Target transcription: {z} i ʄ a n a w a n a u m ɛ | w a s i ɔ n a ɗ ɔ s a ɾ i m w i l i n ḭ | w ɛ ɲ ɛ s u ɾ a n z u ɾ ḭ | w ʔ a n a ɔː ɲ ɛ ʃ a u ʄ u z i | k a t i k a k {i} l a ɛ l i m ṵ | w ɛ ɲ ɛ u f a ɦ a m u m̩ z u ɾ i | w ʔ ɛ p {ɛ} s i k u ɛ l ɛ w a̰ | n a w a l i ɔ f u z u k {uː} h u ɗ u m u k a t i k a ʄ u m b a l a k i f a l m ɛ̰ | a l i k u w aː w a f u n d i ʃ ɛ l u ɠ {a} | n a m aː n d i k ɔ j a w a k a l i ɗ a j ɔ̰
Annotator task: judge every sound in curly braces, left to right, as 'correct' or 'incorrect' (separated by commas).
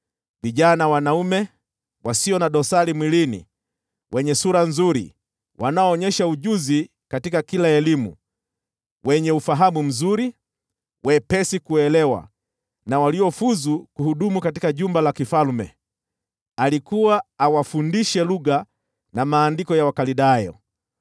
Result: incorrect, correct, correct, incorrect, correct